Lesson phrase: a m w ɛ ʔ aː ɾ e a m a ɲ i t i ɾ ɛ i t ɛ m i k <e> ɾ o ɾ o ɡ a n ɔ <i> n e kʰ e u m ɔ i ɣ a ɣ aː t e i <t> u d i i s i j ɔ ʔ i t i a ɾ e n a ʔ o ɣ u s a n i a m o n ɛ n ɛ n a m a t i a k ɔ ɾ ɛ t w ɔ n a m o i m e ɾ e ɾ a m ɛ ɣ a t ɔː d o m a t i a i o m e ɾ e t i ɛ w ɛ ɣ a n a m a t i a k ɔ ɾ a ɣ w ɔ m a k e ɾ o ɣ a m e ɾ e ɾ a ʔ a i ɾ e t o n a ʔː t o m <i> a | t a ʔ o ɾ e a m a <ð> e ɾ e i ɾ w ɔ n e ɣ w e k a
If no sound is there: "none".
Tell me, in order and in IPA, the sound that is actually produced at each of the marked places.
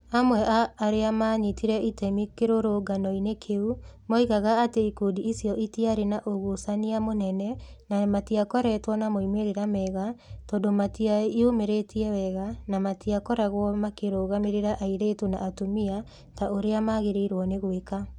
e, i, k, i, ɣ

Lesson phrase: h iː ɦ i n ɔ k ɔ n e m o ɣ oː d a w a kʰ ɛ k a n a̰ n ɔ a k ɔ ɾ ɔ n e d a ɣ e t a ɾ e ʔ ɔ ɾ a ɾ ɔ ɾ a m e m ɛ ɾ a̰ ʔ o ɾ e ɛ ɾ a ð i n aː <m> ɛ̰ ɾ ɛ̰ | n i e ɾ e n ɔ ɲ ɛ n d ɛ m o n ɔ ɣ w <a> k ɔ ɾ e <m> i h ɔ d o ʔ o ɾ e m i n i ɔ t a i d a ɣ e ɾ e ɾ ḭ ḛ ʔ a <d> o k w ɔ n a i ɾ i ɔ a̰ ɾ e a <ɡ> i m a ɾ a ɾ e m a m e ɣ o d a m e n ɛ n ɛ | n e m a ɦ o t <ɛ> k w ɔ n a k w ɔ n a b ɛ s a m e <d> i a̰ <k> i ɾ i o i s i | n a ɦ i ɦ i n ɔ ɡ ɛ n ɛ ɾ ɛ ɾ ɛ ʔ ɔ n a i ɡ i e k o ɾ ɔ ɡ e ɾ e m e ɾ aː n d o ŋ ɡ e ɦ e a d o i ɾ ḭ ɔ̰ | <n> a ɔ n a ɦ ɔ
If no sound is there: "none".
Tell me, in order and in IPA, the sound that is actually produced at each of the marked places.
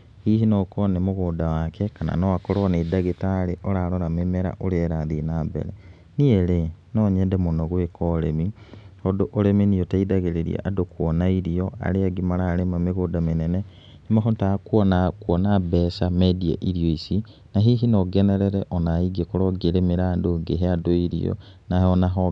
b, e, m, d, ɡ, a, d, ʔ, n

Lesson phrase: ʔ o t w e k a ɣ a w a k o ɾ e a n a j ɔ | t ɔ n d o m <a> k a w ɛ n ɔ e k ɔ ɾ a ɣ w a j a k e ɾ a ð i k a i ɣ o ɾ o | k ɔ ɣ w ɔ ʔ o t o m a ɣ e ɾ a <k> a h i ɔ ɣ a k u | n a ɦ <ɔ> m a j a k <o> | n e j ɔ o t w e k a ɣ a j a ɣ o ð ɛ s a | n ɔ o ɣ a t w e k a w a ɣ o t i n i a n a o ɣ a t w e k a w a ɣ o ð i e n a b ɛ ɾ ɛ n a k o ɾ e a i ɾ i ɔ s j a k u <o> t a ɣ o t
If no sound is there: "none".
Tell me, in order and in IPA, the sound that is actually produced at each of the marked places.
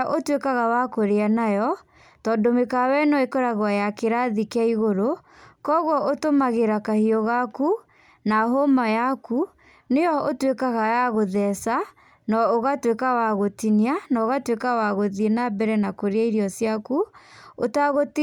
e, k, o, u, o

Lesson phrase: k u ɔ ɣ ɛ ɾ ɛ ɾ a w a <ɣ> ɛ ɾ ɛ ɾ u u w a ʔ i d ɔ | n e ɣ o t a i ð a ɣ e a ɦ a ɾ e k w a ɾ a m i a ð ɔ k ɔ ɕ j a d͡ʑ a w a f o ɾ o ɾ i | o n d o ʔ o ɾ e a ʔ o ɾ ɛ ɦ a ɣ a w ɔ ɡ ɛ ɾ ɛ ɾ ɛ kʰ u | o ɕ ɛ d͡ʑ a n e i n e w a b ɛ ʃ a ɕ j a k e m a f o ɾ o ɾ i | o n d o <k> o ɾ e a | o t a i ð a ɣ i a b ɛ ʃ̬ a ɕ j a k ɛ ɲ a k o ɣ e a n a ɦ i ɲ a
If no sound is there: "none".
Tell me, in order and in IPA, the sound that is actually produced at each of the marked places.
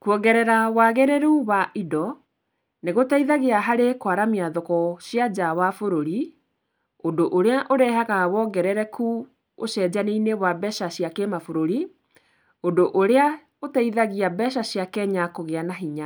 ɣ, ʔ

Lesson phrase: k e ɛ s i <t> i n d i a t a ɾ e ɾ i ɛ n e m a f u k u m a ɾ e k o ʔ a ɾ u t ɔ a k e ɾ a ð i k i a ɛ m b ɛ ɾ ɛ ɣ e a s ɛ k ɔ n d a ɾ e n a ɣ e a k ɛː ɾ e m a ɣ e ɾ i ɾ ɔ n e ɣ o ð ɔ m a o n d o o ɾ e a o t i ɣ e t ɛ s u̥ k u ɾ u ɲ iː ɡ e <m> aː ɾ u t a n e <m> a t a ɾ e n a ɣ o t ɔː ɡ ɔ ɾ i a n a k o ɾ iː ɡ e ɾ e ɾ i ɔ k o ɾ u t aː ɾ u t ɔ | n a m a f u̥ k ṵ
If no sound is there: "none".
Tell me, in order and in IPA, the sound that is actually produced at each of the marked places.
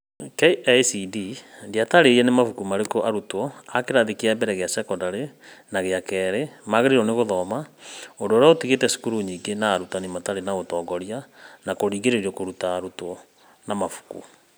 d, n, m

